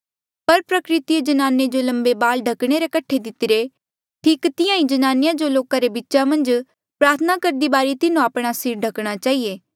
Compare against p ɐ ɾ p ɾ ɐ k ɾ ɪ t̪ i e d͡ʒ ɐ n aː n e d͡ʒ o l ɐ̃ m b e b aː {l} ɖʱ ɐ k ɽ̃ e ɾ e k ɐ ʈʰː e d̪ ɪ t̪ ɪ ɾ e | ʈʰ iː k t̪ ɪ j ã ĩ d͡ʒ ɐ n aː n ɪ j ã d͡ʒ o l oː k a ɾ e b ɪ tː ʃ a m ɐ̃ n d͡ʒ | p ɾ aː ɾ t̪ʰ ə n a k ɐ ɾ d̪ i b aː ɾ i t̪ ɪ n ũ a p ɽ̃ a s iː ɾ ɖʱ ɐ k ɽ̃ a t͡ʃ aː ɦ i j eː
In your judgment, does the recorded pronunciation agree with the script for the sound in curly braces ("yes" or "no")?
yes